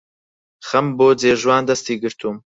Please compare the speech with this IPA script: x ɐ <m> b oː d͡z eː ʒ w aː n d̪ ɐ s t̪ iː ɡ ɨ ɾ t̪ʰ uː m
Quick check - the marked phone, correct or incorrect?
correct